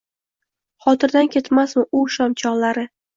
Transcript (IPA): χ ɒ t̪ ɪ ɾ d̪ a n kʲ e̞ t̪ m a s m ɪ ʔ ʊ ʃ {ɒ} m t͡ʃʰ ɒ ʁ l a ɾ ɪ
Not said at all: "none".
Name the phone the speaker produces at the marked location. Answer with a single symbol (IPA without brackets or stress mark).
ɒ